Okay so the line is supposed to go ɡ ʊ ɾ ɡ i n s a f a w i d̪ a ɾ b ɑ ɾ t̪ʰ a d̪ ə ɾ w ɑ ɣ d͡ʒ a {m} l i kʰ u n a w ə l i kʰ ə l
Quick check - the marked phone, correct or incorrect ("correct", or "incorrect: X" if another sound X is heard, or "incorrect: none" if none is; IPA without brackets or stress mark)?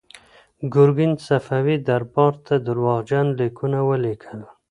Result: incorrect: n